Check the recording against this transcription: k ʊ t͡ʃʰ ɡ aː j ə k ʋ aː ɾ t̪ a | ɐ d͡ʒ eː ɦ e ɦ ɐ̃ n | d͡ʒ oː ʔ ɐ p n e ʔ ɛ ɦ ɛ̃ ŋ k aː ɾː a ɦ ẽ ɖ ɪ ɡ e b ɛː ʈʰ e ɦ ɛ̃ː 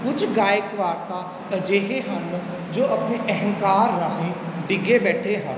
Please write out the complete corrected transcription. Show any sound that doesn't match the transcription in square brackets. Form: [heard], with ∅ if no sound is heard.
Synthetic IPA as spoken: k ʊ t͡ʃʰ ɡ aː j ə k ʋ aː ɾ t̪ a | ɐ d͡ʒ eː ɦ e ɦ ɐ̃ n | d͡ʒ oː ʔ ɐ p n e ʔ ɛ ɦ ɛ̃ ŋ k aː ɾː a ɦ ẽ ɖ ɪ ɡ e b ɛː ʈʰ e ɦ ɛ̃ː